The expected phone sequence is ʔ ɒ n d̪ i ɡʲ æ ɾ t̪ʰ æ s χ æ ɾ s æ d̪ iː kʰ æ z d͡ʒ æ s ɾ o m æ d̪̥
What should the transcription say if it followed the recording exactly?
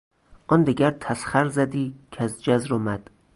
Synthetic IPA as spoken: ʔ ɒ n d̪ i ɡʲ æ ɾ t̪ʰ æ s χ æ ɾ z æ d̪ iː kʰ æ z d͡ʒ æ z ɾ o m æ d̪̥